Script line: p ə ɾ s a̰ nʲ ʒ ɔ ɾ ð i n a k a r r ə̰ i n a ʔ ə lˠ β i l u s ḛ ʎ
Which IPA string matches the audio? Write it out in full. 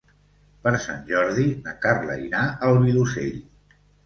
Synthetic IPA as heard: p ə ɾ s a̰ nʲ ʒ ɔ ɾ ð i n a k a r l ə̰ i n a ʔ ə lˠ β i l u s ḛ ʎ